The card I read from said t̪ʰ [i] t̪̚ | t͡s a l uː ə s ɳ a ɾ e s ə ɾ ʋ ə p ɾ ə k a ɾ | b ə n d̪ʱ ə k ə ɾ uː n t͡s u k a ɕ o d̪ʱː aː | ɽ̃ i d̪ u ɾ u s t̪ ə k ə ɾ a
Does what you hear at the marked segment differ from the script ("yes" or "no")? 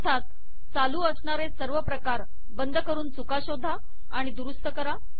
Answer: yes